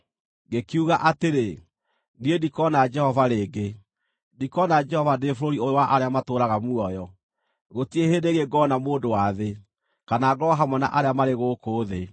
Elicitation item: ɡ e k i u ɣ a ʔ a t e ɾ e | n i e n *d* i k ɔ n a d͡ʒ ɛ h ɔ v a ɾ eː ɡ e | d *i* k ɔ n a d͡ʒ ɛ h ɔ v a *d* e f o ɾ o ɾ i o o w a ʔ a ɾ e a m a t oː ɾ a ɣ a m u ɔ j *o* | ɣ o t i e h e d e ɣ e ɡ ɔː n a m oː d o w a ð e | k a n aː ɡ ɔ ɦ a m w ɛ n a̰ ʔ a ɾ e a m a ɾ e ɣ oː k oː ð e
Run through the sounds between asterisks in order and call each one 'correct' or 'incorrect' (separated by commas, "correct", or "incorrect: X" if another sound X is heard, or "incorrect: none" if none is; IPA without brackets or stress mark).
correct, correct, correct, incorrect: ɔ